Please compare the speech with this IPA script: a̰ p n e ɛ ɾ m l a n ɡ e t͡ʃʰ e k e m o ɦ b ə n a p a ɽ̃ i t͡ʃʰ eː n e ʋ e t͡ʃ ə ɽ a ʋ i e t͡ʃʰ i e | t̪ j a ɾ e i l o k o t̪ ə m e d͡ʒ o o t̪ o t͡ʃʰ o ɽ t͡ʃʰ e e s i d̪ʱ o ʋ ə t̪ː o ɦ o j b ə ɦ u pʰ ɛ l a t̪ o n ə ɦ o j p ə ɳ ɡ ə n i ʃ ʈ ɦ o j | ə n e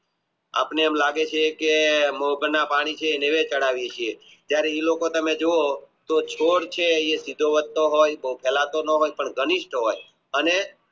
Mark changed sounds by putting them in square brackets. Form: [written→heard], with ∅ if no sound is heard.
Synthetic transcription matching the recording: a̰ p n e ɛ [ɾ→∅] m l a [n→∅] ɡ e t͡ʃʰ e k e m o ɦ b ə n a p a ɽ̃ i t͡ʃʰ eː n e ʋ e t͡ʃ ə ɽ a ʋ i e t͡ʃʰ i e | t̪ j a ɾ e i l o k o t̪ ə m e d͡ʒ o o t̪ o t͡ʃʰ o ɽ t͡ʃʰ e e s i d̪ʱ o ʋ ə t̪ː o ɦ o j b ə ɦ u pʰ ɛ l a t̪ o n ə ɦ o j p ə ɳ ɡ ə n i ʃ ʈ ɦ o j | ə n e